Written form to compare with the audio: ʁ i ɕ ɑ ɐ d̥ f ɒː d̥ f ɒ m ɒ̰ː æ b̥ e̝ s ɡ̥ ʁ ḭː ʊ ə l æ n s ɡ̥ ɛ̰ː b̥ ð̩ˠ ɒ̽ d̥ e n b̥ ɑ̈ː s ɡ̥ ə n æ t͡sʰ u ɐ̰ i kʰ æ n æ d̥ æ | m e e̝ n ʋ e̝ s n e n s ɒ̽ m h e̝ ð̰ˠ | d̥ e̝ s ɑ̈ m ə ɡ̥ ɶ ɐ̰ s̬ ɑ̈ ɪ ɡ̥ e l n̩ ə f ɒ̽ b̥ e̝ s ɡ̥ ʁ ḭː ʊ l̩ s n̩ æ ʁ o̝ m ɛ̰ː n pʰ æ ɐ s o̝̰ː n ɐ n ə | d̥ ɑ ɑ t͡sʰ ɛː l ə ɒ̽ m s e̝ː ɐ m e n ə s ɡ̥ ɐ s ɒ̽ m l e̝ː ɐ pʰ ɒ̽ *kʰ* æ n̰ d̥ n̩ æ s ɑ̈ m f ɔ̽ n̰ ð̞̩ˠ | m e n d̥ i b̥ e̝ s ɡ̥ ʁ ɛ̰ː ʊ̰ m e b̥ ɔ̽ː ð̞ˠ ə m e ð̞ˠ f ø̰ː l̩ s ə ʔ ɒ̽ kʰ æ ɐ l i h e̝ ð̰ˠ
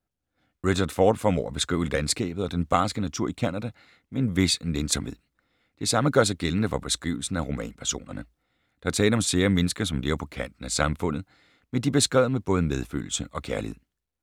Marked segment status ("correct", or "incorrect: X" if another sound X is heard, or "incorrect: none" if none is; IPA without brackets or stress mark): correct